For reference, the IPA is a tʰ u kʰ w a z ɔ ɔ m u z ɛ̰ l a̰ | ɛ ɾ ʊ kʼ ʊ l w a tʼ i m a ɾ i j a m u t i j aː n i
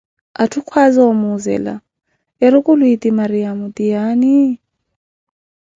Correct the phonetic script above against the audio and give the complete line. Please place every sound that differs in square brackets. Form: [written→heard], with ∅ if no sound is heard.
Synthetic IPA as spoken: a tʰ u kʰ w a z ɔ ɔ m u z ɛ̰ l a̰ | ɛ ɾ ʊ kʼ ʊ l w [a→i] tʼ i m a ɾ i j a m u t i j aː n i